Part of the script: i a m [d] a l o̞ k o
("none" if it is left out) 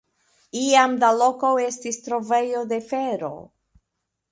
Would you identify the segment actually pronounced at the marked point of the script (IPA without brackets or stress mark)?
d